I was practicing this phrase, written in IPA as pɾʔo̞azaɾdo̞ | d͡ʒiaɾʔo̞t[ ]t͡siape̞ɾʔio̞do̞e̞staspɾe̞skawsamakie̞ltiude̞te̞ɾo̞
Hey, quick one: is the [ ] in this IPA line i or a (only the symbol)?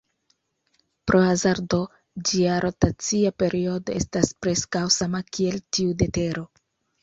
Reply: a